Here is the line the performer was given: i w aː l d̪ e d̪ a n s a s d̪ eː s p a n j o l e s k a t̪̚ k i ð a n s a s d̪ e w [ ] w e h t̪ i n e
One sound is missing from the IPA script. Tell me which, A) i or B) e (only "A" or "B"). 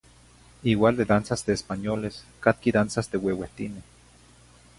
B